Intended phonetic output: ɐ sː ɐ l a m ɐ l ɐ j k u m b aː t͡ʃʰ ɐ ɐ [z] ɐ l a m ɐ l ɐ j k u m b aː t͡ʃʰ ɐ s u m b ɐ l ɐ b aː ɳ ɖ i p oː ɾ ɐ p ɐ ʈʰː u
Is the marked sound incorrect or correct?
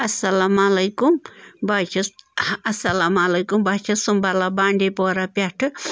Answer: incorrect